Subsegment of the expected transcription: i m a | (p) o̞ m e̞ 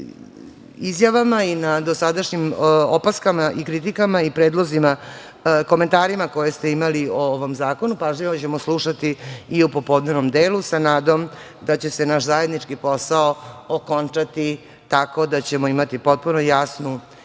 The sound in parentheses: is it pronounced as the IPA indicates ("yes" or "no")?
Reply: no